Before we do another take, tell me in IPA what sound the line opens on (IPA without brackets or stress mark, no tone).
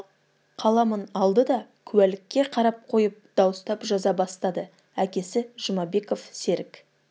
qʰ